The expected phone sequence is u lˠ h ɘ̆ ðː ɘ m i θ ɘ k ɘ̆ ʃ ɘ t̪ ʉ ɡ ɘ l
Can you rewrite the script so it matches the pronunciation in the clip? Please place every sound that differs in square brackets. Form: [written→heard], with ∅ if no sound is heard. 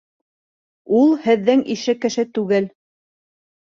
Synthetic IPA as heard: u lˠ h ɘ̆ ðː ɘ [m→ŋ] i [θ→ʃ] ɘ k ɘ̆ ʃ ɘ t̪ ʉ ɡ ɘ l